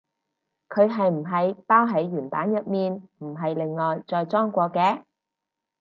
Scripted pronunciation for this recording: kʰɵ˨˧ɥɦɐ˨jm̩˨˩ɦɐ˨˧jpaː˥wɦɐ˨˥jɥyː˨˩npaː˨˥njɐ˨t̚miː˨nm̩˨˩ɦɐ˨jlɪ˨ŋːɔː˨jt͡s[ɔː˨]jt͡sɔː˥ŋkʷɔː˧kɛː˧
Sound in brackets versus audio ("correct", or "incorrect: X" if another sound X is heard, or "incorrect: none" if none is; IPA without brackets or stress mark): correct